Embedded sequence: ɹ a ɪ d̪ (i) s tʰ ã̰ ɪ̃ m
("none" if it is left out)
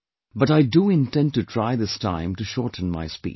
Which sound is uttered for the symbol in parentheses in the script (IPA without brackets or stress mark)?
ɪ